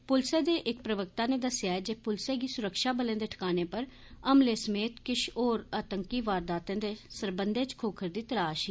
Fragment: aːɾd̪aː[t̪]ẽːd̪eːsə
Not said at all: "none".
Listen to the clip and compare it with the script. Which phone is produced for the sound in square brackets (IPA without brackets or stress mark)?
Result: t̪